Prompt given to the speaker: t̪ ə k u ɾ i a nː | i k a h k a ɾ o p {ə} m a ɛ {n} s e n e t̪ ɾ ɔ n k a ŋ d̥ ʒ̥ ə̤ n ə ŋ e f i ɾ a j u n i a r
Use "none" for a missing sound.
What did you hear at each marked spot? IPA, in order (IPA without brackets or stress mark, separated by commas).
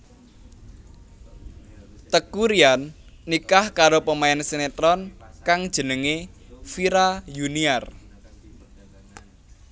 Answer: ə, n